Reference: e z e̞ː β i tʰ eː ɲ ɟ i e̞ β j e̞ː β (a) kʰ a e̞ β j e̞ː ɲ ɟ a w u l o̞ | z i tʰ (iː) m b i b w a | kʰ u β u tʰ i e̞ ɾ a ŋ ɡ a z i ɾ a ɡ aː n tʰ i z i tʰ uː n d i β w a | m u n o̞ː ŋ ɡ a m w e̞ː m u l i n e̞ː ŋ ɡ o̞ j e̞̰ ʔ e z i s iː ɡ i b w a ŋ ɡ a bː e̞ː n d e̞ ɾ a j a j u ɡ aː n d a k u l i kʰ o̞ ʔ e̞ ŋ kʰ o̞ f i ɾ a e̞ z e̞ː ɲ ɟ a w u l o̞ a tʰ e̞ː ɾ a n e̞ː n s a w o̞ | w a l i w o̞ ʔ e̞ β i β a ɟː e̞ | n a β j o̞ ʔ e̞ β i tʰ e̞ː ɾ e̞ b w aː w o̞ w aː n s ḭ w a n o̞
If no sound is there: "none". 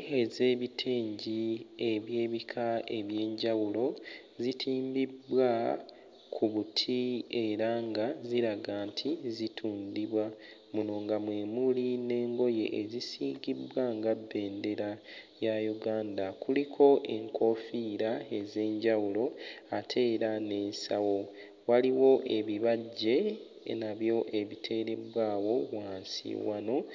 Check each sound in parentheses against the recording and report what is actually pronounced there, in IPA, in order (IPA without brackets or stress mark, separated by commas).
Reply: i, iː